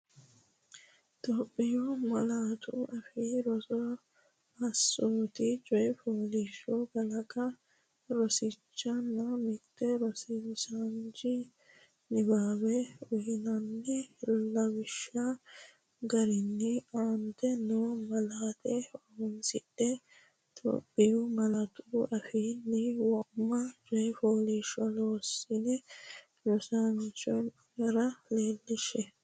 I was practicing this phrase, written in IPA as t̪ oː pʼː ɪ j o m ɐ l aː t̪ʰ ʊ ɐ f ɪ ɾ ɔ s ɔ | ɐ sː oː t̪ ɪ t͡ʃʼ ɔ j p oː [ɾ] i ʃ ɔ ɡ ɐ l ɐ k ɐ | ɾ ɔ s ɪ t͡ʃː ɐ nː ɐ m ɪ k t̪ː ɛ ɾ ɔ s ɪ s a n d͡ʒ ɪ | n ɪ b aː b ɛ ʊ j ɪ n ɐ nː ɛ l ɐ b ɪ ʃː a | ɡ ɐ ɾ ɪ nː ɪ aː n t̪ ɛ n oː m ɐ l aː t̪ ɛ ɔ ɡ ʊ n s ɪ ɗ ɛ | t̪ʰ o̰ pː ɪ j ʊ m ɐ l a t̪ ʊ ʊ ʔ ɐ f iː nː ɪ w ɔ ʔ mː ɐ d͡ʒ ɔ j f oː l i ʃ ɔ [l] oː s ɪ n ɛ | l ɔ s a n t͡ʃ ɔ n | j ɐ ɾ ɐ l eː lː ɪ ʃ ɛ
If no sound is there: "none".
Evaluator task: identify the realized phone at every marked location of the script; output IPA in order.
l, l

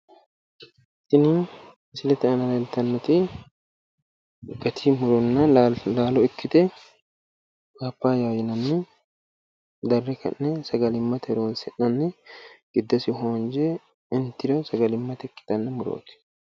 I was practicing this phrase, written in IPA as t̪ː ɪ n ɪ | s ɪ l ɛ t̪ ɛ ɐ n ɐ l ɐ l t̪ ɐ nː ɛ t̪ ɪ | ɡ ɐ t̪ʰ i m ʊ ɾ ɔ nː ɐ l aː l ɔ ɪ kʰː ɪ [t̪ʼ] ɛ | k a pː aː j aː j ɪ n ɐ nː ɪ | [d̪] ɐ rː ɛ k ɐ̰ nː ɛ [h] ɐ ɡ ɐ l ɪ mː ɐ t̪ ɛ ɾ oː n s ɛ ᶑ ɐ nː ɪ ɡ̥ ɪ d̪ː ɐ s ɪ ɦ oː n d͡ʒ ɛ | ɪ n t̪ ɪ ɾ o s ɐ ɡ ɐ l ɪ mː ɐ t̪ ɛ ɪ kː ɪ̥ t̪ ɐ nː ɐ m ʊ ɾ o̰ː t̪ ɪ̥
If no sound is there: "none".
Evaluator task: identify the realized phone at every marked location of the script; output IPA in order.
t̪, d̪, s

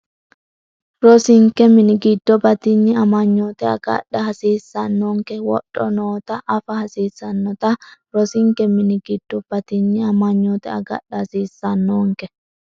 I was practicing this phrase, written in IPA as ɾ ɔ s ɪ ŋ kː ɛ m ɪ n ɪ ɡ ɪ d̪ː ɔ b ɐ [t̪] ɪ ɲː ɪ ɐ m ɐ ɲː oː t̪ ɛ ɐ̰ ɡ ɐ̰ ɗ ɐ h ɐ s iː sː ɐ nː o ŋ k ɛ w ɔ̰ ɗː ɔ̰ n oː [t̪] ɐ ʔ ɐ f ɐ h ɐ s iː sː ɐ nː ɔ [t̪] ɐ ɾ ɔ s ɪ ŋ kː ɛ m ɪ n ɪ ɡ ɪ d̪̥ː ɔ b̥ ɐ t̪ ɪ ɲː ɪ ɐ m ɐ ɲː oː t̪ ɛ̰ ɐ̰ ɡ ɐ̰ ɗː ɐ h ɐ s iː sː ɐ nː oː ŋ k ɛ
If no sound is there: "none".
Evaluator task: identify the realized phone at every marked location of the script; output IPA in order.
t̪, t̪, t̪

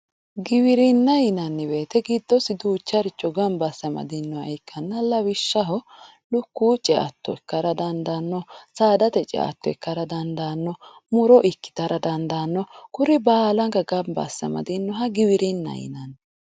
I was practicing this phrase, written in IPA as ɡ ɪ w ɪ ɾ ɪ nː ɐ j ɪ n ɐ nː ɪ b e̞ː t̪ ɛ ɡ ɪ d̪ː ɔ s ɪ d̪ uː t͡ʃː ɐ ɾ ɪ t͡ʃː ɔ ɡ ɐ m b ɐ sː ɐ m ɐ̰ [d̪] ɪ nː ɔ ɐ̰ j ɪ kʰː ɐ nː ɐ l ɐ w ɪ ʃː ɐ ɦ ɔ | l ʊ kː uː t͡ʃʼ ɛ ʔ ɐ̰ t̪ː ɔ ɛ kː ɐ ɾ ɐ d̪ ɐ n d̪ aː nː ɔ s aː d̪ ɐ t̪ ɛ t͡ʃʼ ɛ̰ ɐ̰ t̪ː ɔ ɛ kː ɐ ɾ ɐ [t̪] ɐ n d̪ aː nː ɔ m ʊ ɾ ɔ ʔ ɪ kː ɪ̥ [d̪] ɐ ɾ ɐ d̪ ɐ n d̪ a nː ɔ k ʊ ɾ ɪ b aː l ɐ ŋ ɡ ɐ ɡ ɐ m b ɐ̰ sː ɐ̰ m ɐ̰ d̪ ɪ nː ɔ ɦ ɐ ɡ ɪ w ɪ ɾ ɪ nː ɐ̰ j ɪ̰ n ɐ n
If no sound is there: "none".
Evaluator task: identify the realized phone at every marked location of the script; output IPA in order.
d̪, d̪, t̪

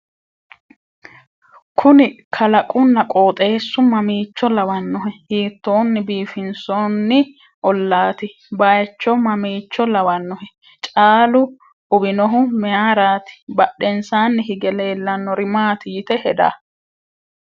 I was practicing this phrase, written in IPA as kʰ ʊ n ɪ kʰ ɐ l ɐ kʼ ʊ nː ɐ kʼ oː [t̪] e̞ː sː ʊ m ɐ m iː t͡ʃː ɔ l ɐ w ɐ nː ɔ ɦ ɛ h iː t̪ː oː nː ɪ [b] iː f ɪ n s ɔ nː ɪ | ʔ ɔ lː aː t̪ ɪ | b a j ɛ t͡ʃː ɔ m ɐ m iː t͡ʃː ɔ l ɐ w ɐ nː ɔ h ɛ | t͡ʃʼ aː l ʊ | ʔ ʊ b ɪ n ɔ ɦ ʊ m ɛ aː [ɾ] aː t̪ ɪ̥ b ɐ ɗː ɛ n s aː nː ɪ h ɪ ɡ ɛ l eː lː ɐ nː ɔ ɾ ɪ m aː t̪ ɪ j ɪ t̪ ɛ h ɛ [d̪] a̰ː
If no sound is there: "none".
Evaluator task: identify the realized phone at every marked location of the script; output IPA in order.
t̪ʼ, b, ɾ, d̪

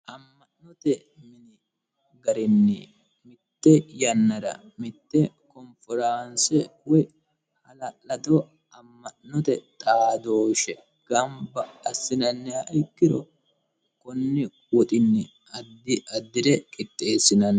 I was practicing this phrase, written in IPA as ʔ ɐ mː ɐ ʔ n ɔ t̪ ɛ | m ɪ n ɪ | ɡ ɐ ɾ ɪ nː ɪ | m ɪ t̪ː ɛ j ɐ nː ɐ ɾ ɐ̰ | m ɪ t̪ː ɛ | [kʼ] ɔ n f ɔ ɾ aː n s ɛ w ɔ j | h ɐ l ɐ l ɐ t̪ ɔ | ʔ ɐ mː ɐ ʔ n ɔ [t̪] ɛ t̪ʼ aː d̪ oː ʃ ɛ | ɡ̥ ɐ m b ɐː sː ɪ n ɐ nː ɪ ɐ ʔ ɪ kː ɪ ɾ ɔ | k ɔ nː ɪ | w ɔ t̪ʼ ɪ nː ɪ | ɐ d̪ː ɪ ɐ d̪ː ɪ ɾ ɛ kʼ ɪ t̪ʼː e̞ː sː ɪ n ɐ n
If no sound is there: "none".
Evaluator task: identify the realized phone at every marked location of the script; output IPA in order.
k, t̪

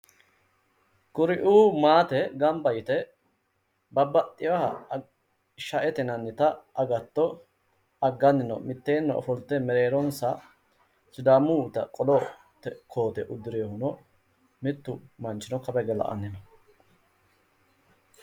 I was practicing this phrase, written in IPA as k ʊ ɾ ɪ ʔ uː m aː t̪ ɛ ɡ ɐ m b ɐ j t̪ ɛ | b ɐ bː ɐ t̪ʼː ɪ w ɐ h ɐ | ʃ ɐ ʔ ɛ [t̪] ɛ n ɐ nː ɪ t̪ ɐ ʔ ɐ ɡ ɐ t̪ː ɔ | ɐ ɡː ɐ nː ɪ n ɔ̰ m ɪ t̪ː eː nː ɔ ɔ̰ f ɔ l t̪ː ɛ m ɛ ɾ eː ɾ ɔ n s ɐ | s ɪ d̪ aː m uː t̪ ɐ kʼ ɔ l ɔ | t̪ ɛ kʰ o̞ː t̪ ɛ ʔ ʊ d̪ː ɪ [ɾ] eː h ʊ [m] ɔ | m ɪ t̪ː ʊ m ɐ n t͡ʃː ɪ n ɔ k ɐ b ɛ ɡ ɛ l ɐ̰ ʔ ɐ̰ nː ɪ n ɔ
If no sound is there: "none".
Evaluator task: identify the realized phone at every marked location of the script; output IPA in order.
t̪, ɾ, n

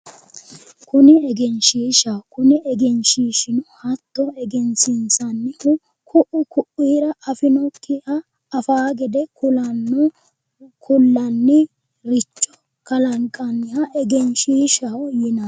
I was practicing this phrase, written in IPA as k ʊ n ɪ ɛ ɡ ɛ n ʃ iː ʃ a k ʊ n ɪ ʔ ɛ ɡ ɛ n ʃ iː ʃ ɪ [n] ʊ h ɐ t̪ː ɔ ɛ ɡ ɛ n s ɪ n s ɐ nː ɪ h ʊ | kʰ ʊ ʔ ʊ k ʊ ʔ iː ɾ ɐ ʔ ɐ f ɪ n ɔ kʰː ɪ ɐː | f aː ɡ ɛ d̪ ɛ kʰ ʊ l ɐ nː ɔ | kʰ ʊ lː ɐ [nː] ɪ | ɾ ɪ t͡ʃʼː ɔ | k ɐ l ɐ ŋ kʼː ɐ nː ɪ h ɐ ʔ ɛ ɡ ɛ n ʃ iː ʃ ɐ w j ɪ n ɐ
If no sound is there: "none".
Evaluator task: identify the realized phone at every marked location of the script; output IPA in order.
n, nː

